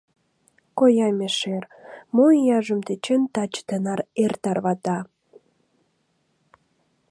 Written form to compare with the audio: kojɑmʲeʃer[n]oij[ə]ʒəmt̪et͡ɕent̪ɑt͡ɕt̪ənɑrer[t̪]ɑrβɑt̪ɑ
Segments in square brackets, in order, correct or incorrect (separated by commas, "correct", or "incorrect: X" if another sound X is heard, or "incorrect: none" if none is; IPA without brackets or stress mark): incorrect: m, incorrect: ɑ, correct